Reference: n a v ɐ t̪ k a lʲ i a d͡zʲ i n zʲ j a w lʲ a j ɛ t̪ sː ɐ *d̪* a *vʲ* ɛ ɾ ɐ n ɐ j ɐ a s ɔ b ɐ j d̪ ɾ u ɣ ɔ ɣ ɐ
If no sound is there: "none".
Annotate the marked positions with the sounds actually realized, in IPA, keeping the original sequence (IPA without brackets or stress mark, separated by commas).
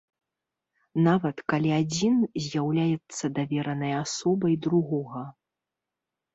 d̪, vʲ